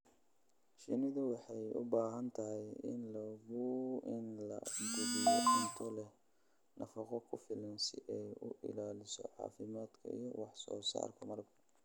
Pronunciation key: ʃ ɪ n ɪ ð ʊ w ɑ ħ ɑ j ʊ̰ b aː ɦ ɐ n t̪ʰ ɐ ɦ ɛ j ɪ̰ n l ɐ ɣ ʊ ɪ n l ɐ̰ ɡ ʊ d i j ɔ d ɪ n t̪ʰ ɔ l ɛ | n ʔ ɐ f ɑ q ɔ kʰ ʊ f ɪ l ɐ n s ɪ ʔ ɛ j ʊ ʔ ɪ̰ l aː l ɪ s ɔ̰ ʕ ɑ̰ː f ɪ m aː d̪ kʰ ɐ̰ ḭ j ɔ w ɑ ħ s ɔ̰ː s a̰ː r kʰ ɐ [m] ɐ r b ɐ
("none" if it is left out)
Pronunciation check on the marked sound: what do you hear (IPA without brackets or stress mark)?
m